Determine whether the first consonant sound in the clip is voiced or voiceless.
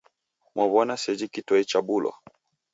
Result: voiced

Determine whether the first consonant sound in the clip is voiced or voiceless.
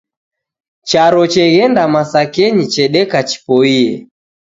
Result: voiceless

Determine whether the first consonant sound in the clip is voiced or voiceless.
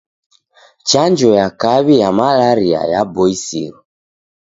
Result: voiceless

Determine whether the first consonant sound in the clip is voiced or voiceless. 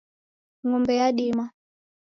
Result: voiced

